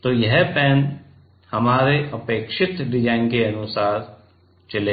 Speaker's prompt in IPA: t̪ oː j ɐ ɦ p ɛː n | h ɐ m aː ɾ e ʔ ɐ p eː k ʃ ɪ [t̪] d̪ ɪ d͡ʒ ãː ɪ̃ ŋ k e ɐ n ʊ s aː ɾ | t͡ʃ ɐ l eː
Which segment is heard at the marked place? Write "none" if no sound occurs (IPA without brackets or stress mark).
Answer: t̪